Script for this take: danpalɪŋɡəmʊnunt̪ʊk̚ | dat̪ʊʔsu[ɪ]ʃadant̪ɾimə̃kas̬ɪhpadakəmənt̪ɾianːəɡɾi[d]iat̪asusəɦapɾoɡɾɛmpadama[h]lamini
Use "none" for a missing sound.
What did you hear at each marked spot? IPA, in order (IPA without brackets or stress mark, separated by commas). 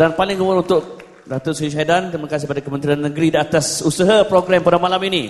i, d, none